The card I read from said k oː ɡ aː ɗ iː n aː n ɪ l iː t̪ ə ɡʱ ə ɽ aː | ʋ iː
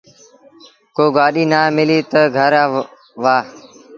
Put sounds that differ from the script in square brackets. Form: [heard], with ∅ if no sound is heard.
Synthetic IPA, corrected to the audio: k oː ɡ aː ɗ iː n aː [m] ɪ l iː t̪ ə ɡʱ ə [ɾ] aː | ʋ [aː]